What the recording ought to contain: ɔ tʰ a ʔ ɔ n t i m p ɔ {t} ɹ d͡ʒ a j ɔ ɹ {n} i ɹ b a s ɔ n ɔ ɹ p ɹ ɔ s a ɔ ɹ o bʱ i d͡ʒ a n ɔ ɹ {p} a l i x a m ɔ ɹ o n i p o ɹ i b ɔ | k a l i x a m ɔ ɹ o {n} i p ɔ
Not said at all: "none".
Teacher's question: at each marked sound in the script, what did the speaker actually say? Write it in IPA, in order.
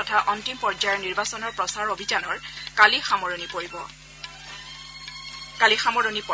none, n, k, n

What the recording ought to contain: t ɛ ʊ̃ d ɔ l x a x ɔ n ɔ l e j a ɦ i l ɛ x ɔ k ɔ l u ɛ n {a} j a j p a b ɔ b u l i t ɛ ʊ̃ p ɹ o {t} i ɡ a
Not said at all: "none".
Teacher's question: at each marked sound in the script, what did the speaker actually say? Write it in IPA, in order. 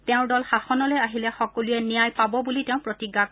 i, t

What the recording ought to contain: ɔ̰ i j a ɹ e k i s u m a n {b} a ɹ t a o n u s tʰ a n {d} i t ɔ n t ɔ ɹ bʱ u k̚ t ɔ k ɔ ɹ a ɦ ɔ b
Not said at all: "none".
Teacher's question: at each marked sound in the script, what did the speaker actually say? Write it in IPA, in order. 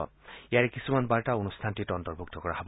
b, t

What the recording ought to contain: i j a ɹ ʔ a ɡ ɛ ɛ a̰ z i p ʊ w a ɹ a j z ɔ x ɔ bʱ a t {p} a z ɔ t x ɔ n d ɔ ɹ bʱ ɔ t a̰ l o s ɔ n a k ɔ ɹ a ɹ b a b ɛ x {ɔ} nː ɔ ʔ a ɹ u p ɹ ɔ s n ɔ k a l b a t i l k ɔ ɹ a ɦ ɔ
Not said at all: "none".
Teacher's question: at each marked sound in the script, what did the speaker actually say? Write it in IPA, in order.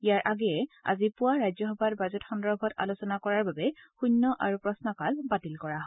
b, u

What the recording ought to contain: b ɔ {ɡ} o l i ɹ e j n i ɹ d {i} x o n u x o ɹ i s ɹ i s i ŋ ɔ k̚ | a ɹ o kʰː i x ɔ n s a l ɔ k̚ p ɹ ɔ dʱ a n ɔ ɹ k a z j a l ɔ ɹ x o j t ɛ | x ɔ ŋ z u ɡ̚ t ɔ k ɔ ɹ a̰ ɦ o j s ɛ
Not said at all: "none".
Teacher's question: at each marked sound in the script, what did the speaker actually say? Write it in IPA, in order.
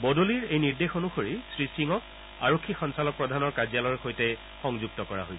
d, e

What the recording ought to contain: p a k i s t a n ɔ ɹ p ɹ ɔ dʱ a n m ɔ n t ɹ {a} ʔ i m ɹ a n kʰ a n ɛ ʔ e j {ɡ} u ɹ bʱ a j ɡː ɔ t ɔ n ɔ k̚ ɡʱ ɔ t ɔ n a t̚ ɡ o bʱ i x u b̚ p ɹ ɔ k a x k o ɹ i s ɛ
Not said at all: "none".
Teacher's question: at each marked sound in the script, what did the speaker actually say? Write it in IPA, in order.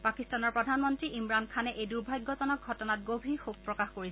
i, d

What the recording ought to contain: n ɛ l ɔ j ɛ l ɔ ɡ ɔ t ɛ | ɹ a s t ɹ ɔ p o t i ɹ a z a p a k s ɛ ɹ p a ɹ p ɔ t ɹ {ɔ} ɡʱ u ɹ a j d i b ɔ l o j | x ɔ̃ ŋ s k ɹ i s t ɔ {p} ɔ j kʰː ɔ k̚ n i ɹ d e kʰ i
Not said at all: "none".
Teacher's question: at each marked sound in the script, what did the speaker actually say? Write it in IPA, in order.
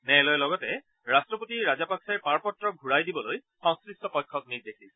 ɔ, p

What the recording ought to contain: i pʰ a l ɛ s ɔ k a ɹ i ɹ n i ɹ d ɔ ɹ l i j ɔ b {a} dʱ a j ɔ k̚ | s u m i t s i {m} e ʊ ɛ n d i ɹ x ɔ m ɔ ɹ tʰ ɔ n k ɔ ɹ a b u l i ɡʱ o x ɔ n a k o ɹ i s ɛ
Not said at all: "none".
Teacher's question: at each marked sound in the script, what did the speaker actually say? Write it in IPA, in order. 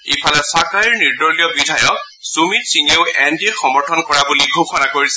i, ŋ

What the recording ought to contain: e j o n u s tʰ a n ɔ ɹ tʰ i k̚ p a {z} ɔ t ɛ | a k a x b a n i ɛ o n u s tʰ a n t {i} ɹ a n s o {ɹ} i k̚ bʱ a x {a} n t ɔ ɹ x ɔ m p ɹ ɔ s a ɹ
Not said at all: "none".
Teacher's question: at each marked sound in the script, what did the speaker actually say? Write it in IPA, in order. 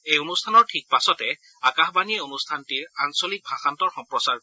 s, i, l, a

